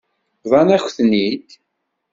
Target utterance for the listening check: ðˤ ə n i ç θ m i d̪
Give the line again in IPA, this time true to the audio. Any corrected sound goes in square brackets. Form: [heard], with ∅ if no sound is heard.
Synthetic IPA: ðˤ [ɑ] n [æ] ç θ [n] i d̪